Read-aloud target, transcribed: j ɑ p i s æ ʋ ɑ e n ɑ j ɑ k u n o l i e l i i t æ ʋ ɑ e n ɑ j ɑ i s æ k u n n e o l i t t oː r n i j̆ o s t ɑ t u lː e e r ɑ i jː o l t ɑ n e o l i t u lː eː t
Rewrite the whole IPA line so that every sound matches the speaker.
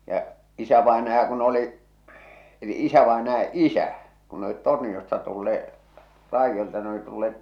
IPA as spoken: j ɑ ʔ i s æ ʋ ɑ e n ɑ j ɑ k u n o l i e l i i s æ ʋ ɑ e n ɑ j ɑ i s æ k u n n e o l i t t o r n i j̆ o s t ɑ t u lː e e r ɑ i jː o l t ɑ n e o l i t u lː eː t